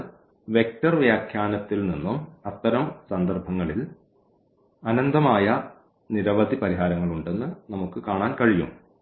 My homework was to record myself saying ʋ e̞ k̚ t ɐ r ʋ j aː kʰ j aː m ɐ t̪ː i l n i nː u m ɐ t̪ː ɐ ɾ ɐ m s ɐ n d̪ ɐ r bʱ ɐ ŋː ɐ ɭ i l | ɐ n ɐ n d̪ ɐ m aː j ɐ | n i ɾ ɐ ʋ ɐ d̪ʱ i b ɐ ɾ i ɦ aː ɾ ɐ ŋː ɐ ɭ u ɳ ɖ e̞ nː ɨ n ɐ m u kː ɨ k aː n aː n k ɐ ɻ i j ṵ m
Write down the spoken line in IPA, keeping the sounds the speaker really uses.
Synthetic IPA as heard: ʋ e̞ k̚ t ɐ r ʋ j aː kʰ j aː n ɐ t̪ː i l n i nː u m ɐ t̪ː ɐ ɾ ɐ m s ɐ n d̪ ɐ r bʱ ɐ ŋː ɐ ɭ i l | ɐ n ɐ n d̪ ɐ m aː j ɐ | n i ɾ ɐ ʋ ɐ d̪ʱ i p ɐ ɾ i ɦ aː ɾ ɐ ŋː ɐ ɭ u ɳ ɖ e̞ nː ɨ n ɐ m u kː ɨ k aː ɳ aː n k ɐ ɻ i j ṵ m